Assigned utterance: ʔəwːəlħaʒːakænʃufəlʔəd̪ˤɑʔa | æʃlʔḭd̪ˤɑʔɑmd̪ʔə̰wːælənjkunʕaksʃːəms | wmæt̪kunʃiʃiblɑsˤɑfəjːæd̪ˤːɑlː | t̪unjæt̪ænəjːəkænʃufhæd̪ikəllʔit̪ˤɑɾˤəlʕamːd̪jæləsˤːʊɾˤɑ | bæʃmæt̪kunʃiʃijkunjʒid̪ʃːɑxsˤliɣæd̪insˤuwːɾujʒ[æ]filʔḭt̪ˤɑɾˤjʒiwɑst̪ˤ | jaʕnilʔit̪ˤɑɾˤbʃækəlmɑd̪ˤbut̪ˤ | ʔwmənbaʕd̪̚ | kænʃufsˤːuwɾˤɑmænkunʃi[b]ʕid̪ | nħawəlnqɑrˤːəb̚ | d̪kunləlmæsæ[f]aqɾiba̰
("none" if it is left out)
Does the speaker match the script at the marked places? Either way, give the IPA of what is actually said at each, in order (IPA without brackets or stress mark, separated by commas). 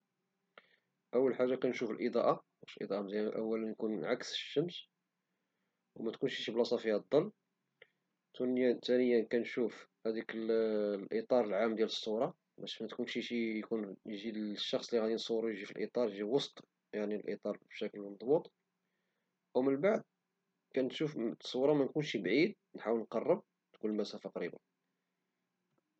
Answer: i, b, f